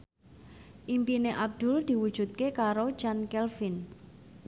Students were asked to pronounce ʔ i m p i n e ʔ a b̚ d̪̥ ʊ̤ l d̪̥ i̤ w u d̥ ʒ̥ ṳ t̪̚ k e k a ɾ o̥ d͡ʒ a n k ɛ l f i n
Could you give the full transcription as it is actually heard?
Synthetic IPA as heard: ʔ i m p i n e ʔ a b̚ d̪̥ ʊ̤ l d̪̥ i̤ w u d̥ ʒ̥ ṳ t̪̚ k e k a ɾ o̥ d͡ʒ a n k ɛ l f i n